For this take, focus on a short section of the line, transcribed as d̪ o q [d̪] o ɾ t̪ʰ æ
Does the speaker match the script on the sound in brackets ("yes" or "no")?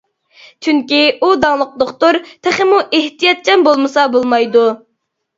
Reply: no